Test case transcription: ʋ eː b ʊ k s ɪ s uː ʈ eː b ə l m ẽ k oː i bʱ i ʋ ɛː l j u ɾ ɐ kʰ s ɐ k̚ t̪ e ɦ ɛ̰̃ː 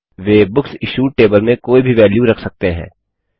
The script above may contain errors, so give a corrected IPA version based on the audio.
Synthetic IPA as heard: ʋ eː b ʊ k s ɪ ʃ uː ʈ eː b ə l m ẽ k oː i bʱ i ʋ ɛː l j u ɾ ɐ kʰ s ɐ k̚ t̪ e ɦ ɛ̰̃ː